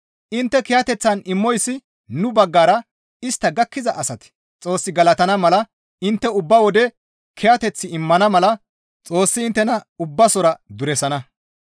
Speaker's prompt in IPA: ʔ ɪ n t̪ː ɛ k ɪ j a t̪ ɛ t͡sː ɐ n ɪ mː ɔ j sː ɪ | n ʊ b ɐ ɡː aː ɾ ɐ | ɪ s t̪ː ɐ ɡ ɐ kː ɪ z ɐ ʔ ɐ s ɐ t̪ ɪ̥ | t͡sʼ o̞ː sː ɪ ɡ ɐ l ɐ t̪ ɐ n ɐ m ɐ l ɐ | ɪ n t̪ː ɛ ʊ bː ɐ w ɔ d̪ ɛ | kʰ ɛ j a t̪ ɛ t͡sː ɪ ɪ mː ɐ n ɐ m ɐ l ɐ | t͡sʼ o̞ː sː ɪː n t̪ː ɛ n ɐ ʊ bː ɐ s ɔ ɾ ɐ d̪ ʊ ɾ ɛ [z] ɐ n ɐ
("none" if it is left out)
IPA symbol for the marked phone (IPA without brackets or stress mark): s